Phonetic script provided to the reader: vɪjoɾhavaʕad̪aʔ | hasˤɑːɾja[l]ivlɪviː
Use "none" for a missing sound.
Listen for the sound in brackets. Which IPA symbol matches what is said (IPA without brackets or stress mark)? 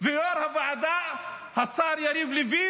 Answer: ɾ